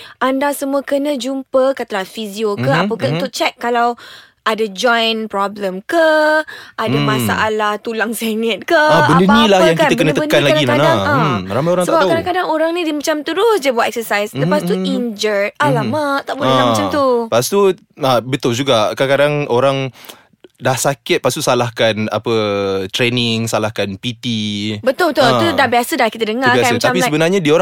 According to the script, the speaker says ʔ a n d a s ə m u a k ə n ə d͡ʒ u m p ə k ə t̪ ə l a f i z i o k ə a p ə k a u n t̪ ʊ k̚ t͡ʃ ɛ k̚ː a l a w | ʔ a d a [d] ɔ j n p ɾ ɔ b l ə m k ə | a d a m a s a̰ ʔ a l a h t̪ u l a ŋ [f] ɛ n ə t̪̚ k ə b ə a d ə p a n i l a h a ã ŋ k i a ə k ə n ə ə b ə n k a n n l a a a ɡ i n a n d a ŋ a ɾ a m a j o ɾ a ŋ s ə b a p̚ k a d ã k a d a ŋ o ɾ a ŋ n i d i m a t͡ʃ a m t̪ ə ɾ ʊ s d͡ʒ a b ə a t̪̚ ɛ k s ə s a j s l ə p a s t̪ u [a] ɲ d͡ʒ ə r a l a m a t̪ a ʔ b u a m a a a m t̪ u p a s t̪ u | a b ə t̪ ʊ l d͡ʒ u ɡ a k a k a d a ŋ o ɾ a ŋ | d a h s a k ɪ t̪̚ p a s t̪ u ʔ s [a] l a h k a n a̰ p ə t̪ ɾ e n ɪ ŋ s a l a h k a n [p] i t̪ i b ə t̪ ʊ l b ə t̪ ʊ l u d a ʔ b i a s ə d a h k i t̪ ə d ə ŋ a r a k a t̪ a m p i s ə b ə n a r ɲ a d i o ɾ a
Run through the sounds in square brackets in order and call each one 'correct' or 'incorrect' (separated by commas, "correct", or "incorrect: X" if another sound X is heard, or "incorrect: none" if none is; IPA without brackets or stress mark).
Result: incorrect: d͡ʒ, incorrect: s, incorrect: i, correct, correct